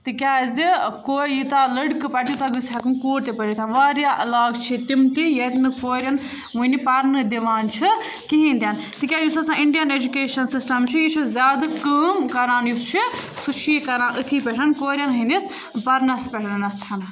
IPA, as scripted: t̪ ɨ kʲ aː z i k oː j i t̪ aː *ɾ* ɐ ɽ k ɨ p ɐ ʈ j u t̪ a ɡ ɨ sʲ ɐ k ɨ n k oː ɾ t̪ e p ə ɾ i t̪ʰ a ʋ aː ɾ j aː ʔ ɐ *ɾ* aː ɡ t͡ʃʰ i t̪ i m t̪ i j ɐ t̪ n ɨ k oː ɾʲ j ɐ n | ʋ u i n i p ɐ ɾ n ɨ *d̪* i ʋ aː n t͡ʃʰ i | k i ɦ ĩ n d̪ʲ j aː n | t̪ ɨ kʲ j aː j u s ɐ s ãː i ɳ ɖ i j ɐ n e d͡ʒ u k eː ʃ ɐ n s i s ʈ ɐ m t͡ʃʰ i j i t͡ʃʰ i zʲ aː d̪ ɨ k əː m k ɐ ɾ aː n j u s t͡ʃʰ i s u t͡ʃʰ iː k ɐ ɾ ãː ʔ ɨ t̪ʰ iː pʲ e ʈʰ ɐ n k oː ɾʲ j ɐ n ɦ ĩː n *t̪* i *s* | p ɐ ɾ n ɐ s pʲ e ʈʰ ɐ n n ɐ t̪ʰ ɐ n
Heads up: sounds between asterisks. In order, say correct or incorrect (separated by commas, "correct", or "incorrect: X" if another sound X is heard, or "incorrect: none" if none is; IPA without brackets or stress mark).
incorrect: l, incorrect: l, correct, incorrect: d̪, correct